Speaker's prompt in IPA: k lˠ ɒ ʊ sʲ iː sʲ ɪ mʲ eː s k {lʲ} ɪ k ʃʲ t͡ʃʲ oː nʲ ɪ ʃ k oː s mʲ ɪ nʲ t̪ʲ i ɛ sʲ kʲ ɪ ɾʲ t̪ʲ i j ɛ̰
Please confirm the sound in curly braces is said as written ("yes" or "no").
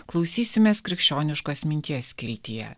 no